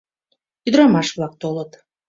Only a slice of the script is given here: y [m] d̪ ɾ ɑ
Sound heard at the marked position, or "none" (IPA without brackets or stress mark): none